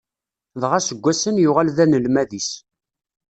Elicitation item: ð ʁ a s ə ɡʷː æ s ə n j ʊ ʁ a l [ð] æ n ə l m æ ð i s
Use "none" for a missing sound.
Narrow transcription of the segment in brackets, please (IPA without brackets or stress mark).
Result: ð